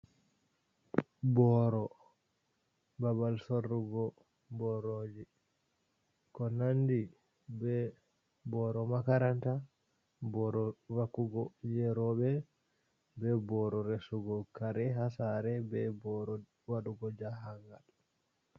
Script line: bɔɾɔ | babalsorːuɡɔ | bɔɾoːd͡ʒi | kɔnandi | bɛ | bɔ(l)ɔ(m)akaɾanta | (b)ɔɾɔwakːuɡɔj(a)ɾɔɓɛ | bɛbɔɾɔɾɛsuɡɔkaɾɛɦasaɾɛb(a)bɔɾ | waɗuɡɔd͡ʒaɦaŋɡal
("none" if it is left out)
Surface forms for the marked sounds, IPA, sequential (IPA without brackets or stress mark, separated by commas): ɾ, m, b, ɛ, ɛ